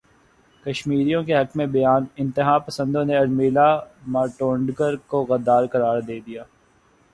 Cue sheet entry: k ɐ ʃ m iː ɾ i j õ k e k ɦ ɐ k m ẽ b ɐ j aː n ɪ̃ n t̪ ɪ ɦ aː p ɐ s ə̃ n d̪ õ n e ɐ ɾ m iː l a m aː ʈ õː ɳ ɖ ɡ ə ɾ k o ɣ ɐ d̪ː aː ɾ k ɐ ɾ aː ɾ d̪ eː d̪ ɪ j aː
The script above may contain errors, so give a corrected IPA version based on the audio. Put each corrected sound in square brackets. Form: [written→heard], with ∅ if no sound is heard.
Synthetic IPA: k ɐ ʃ m iː ɾ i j õ k e [k→∅] ɦ ɐ k m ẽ b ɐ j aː n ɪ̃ n t̪ ɪ ɦ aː p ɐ s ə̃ n d̪ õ n e ɐ ɾ m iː l a m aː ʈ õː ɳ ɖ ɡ ə ɾ k o ɣ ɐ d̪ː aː ɾ k ɐ ɾ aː ɾ d̪ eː d̪ [ɪ→i] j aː